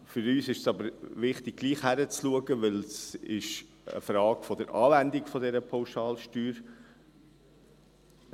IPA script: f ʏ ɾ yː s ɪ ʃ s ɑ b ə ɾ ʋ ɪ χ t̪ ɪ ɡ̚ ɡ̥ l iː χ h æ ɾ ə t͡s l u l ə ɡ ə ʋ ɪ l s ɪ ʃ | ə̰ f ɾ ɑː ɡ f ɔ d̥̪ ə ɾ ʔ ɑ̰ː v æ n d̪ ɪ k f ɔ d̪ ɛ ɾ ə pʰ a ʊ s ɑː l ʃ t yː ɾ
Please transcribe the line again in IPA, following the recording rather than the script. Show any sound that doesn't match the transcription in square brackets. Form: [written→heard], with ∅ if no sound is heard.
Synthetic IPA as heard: f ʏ ɾ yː s ɪ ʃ s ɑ b ə ɾ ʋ ɪ χ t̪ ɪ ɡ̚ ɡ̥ l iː χ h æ ɾ ə t͡s l u [l→∅] ə ɡ ə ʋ ɪ l s ɪ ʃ | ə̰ f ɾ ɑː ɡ f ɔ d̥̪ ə ɾ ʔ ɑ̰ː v æ n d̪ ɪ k f ɔ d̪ ɛ ɾ ə pʰ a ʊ [s→ʃ] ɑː l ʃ t yː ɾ